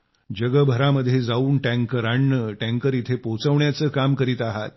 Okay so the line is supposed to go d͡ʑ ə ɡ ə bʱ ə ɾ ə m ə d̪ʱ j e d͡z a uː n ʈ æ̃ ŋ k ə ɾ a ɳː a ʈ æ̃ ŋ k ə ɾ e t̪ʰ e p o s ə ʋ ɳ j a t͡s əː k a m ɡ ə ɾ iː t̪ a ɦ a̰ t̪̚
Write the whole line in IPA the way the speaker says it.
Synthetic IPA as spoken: d͡ʑ ə ɡ ə bʱ ə ɾ a m ə d̪ʱ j e d͡z a uː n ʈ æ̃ ŋ k ə ɾ a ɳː ə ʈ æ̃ ŋ k ə ɾ i t̪ʰ e p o t͡s ə ʋ ɳ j a t͡s əː k a m k ə ɾ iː t̪ a ɦ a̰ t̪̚